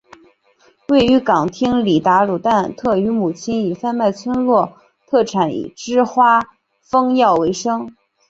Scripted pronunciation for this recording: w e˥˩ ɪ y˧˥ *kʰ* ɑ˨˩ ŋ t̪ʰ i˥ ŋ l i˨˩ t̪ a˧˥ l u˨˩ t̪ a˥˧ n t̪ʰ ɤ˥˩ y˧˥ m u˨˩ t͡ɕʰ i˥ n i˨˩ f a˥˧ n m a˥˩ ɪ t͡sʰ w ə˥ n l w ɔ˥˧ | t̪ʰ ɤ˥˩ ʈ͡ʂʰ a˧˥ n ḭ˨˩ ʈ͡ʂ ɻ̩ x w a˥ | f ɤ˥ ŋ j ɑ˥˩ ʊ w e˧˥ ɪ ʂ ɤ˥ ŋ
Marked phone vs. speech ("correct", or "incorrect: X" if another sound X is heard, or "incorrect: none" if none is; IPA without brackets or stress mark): incorrect: k